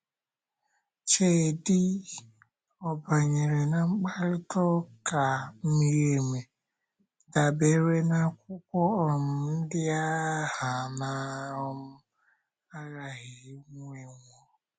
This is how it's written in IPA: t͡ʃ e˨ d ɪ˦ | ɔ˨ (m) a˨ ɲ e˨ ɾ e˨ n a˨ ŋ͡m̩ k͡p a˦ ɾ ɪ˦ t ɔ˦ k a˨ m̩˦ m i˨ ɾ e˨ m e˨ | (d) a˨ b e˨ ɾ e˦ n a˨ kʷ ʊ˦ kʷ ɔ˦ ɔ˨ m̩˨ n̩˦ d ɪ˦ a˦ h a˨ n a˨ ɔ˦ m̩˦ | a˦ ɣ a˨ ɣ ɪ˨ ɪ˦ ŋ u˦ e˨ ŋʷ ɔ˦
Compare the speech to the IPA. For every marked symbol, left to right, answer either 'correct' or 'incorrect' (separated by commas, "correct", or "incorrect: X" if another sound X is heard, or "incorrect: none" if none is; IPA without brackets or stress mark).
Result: incorrect: b, correct